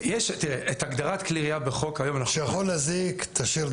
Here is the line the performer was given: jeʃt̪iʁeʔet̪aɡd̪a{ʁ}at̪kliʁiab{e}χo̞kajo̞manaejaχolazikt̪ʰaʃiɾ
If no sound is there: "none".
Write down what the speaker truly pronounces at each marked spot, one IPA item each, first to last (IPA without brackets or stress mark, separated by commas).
ʁ, e